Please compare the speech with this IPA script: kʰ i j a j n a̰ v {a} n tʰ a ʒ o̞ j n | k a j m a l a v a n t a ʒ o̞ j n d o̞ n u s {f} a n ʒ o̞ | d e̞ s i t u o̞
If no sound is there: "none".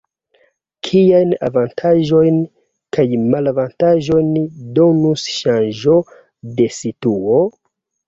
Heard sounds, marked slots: a, ʃ

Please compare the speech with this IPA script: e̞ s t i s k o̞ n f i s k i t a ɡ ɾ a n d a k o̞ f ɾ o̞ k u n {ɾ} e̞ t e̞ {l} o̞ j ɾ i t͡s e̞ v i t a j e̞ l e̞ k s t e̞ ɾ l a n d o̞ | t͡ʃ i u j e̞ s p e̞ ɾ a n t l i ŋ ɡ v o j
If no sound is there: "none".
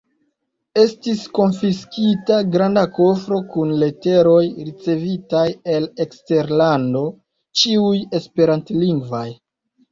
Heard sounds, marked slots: l, ɾ

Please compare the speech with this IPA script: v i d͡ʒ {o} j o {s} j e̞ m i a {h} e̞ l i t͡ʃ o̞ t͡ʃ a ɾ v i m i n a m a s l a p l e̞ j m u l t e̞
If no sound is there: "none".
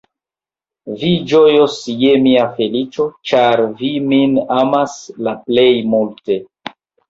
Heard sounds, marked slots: o, s, f

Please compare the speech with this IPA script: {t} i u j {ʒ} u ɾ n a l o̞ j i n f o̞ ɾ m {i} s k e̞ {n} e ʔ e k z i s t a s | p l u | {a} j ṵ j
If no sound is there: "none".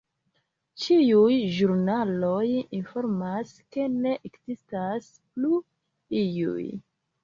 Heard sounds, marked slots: t͡ʃ, ʒ, a, n, i

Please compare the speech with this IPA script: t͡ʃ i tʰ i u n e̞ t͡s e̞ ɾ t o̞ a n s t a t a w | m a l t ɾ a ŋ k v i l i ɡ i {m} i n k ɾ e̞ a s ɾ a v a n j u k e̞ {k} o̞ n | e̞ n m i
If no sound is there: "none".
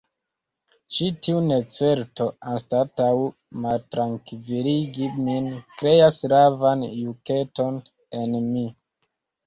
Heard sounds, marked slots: m, t

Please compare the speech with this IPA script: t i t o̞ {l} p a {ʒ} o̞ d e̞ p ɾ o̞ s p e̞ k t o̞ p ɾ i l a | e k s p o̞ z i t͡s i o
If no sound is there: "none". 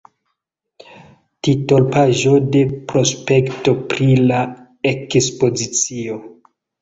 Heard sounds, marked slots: l, ʒ

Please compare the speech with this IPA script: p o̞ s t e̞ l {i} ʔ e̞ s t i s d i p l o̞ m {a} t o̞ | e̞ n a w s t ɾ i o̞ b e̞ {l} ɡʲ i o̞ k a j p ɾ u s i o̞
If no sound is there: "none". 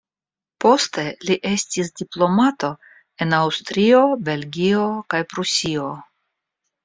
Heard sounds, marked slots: i, a, l

